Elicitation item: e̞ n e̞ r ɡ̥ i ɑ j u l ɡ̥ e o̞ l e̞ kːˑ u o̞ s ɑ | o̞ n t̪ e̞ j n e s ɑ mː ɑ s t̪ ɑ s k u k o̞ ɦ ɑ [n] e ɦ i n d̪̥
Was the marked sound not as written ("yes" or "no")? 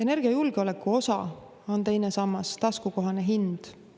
no